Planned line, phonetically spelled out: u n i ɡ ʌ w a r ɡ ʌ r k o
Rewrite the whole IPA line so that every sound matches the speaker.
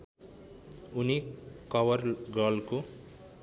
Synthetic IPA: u n i k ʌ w ʌ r ɡ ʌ l k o